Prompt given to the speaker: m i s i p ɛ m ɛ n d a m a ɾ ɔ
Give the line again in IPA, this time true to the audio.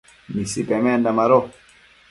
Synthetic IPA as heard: m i s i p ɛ m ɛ n d a m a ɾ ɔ